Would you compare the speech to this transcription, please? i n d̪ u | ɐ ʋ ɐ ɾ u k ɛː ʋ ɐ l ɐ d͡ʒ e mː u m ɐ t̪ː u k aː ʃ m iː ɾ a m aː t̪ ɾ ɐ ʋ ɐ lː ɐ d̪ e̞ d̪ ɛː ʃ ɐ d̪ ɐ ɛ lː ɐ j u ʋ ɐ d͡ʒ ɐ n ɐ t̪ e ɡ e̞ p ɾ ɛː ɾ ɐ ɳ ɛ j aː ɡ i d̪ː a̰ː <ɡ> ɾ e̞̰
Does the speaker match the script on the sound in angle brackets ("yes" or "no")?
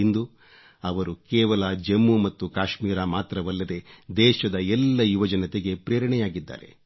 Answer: no